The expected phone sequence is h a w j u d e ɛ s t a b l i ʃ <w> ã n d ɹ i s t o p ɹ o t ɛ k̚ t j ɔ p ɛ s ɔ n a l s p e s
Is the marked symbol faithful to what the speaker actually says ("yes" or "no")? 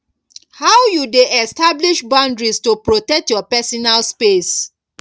no